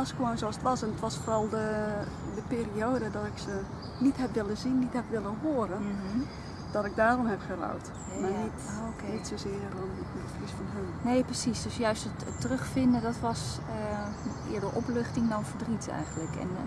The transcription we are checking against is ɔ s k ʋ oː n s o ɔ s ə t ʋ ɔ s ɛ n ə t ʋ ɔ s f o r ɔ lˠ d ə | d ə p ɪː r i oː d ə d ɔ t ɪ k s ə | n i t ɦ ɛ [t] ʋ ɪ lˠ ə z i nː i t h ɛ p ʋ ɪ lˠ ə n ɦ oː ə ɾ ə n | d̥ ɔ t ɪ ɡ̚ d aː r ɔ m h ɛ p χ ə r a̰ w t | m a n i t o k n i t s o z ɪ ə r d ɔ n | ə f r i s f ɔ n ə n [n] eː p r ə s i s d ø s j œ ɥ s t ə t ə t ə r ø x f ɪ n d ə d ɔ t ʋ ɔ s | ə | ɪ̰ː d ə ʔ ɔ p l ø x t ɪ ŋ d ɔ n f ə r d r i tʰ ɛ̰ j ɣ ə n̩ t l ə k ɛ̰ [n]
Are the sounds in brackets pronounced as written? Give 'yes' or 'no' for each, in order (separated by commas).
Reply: no, yes, yes